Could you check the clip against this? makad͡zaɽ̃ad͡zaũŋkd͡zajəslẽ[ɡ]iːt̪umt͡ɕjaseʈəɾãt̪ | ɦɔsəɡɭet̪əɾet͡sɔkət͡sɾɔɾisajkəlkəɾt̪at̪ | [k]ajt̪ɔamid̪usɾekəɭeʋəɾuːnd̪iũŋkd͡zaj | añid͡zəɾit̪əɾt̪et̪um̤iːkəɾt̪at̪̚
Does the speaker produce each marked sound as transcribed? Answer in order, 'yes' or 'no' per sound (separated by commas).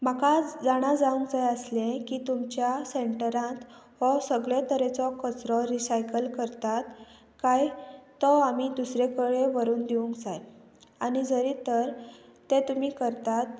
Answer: no, yes